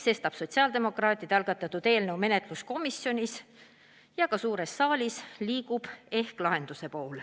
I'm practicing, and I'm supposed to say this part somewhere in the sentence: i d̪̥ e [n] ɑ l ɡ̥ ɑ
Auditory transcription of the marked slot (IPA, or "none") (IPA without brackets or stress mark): none